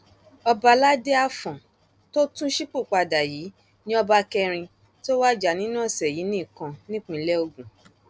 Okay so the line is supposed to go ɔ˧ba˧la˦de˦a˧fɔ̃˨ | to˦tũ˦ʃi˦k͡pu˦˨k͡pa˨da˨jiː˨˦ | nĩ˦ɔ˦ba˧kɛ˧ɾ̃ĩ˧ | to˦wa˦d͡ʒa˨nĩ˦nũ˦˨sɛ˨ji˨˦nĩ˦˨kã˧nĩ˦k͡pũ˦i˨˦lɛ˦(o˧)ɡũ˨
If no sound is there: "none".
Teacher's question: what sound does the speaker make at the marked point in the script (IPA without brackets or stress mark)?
o˧